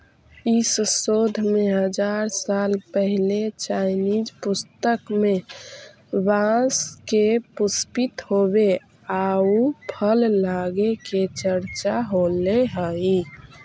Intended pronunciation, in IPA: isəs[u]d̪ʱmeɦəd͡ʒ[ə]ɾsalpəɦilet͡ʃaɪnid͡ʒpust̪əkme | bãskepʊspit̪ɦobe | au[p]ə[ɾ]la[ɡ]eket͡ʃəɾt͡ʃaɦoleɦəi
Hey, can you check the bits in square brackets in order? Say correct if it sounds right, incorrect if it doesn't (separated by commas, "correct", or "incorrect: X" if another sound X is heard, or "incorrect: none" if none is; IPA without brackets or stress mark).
incorrect: o, incorrect: a, incorrect: pʰ, incorrect: l, correct